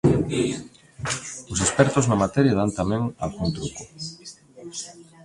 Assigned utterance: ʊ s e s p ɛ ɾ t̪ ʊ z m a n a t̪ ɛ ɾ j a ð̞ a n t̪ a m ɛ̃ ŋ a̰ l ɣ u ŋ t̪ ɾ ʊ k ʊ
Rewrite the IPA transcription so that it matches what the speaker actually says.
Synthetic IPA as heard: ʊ s e s p ɛ ɾ t̪ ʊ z n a m a t̪ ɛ ɾ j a ð̞ a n t̪ a m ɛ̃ ŋ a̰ l ɣ u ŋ t̪ ɾ u k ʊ